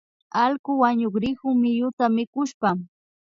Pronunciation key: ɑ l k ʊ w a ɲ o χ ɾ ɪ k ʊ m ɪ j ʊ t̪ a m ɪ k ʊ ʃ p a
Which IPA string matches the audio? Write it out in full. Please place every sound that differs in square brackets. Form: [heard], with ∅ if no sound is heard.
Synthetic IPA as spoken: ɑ l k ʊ w a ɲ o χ ɾ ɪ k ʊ m ɪ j ʊ t̪ a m ɪ k ʊ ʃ p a